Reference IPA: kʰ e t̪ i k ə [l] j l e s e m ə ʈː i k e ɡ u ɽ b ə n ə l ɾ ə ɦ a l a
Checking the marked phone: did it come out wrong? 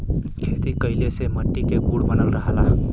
yes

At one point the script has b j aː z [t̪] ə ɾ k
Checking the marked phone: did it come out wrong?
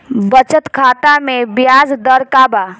yes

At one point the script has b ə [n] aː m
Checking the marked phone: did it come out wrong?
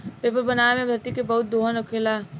no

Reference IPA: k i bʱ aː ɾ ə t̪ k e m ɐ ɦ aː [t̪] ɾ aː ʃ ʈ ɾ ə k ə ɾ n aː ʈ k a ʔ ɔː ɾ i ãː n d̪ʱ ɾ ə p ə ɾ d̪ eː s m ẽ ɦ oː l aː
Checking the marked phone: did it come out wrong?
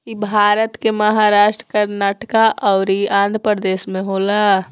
yes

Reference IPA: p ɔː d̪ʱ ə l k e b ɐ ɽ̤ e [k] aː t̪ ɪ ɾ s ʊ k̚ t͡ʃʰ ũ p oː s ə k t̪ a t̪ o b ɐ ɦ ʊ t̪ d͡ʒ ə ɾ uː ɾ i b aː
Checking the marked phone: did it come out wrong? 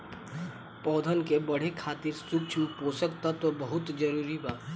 yes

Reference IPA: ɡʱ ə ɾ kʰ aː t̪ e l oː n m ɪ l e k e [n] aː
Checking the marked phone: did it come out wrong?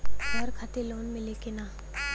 no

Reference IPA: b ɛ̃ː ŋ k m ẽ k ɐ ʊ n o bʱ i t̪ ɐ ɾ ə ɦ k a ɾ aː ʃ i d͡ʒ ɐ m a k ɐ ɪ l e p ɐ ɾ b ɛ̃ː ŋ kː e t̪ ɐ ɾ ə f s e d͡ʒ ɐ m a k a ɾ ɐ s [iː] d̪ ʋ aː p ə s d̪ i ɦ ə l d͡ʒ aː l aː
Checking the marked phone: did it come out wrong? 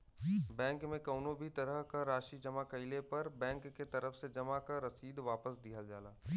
no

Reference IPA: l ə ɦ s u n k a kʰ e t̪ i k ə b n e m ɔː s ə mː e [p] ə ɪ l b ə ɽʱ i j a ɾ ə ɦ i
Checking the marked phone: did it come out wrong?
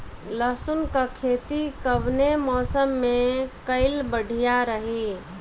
yes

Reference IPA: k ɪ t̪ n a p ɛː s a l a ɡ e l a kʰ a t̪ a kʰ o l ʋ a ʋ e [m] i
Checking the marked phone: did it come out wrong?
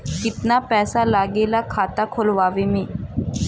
no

